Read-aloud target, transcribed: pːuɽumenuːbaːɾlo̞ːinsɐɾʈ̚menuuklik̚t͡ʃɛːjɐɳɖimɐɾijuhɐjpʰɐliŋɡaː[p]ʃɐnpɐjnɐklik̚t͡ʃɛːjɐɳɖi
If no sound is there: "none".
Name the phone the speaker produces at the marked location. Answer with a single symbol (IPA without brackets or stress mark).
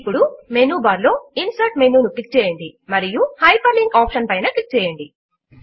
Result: p